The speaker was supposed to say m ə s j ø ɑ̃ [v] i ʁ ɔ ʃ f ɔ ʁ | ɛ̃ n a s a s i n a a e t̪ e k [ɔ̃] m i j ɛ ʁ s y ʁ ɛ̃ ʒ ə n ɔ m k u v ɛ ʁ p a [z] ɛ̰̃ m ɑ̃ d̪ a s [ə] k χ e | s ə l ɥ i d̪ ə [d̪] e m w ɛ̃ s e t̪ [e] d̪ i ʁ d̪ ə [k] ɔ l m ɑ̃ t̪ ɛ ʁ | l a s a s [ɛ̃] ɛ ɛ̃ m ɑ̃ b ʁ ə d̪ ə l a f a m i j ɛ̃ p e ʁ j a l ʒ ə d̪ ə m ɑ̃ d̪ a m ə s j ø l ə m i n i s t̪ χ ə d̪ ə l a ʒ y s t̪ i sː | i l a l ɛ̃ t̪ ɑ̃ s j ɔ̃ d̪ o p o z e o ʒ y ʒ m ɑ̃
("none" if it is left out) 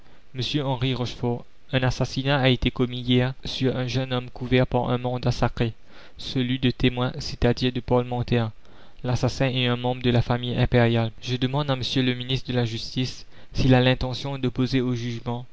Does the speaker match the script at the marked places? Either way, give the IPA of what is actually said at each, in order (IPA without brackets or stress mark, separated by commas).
ʁ, ɔ, ʁ, a, t̪, a, p, ɛ̃